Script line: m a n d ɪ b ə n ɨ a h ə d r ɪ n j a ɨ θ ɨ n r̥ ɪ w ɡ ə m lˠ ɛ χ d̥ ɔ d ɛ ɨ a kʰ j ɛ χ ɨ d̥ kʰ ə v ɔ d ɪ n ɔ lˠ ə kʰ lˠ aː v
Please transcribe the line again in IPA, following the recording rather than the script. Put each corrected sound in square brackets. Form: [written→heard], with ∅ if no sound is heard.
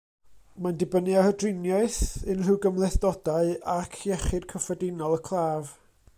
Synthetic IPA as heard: m a n d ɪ b ə n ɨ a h ə d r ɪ n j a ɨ θ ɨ n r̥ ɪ w ɡ ə m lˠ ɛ [χ→θ] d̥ ɔ d [ɛ→a] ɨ a kʰ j ɛ χ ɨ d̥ kʰ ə [v→f] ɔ d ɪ n ɔ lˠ ə kʰ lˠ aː v